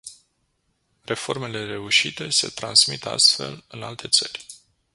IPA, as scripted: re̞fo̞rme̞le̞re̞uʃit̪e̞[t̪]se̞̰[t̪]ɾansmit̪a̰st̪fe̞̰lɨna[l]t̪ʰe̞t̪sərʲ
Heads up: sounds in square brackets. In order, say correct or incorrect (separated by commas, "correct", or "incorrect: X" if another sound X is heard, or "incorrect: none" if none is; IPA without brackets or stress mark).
incorrect: none, correct, correct